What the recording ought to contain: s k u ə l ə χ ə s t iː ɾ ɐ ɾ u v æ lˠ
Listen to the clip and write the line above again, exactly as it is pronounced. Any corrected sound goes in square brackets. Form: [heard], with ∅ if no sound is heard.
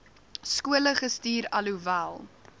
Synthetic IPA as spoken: s k u ə l ə χ ə s t iː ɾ ɐ [l] u v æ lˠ